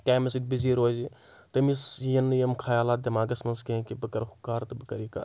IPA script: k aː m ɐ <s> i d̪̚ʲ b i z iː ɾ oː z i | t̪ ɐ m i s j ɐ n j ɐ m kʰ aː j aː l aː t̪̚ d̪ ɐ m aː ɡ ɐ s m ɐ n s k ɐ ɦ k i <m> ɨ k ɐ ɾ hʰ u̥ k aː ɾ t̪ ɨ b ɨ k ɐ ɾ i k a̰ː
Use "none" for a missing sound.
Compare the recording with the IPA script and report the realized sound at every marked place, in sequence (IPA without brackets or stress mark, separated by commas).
s, b